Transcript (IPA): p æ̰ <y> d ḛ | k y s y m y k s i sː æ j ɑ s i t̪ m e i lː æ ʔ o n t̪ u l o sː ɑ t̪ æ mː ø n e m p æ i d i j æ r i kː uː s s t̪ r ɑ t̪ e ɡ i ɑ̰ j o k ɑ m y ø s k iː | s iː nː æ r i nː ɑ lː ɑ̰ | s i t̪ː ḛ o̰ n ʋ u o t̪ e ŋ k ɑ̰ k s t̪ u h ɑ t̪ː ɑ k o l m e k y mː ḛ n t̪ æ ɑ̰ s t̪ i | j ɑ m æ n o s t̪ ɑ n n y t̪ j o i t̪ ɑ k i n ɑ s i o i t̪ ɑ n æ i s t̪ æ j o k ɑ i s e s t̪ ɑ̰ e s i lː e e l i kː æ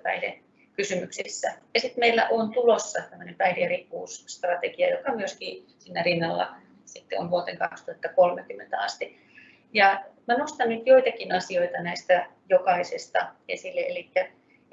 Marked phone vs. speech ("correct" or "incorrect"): incorrect